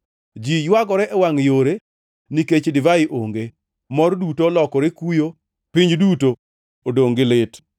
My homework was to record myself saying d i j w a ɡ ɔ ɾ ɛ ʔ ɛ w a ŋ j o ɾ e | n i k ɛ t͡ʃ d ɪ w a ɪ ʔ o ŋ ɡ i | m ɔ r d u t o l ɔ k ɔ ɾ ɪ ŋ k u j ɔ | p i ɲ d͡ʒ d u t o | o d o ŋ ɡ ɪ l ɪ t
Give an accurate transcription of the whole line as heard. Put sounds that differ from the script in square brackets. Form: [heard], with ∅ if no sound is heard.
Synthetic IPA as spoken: [d͡ʒ] i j w a ɡ ɔ ɾ ɛ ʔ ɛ w a ŋ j o ɾ e | n i k [e] t͡ʃ d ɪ [v] a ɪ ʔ o ŋ ɡ [e] | m ɔ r d u t o l ɔ k ɔ ɾ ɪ [∅] k u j [o] | p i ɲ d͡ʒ d u t o | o d o ŋ ɡ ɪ l ɪ t